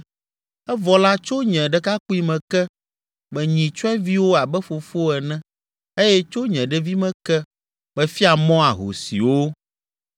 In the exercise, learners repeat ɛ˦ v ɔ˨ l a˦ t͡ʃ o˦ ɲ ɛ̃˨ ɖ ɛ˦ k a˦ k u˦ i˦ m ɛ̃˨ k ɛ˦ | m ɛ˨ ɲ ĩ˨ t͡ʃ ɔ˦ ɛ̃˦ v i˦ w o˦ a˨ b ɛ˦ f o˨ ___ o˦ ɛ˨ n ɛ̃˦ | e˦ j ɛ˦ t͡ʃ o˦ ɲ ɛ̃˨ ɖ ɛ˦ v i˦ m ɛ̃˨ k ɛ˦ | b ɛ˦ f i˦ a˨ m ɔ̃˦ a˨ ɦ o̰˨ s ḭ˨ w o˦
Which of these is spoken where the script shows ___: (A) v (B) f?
B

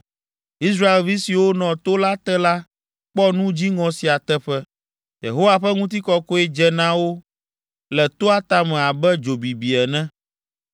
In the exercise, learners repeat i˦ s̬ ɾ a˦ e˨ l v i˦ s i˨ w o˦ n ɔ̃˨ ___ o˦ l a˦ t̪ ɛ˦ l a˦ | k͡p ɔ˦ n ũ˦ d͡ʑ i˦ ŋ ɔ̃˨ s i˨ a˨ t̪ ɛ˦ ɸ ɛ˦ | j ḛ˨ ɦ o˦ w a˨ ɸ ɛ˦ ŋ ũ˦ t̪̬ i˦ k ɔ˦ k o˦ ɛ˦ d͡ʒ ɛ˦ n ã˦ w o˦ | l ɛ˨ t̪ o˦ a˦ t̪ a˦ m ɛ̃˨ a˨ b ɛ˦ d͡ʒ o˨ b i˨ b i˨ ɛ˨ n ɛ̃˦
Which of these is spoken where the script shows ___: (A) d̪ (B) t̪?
B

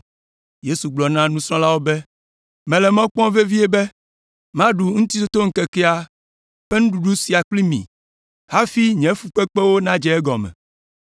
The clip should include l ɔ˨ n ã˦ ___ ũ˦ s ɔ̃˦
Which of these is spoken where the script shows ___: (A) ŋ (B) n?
B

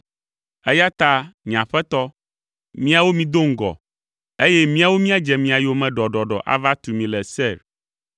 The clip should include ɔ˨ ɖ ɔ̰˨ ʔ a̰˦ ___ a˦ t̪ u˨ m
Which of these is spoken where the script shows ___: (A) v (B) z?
A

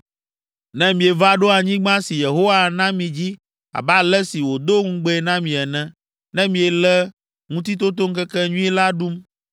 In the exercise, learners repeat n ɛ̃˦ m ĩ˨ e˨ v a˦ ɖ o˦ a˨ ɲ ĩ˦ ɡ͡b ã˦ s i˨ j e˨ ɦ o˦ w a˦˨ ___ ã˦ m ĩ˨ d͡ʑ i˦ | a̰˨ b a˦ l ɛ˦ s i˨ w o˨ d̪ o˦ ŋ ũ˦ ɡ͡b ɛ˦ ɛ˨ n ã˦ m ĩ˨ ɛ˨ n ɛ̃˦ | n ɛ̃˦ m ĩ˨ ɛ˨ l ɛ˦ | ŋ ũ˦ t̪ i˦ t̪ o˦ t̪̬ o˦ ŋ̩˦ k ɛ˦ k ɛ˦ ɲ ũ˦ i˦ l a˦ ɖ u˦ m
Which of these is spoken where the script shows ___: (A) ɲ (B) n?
B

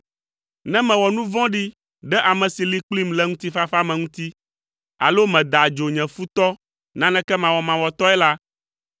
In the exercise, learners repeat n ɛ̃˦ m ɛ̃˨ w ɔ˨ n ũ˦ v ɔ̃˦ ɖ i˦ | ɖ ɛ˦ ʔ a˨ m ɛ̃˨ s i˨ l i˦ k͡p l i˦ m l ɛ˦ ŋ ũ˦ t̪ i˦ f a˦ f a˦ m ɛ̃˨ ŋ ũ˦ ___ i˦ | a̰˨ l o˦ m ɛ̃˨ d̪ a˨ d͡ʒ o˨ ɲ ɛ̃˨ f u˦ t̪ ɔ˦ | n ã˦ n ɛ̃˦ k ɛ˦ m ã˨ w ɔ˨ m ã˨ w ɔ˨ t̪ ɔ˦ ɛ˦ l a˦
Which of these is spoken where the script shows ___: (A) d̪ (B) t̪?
B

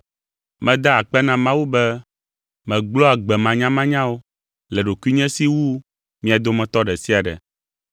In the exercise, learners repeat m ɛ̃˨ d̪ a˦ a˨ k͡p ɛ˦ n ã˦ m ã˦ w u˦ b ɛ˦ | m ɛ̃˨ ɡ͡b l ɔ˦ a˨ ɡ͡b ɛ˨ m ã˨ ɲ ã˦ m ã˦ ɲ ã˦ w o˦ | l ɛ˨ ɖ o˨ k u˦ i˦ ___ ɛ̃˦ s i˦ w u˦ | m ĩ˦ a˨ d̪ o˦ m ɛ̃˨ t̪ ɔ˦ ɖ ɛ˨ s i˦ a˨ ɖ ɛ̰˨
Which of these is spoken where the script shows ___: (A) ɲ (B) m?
A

